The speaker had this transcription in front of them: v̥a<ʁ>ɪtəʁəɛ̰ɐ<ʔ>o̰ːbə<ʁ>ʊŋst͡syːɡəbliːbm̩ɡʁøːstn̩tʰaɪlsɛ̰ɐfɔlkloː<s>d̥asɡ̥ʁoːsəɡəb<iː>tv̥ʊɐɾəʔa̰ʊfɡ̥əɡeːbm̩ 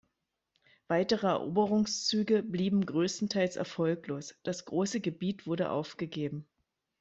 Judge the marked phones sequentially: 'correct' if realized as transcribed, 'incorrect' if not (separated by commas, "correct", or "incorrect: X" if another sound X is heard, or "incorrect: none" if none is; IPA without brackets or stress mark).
incorrect: none, correct, correct, correct, correct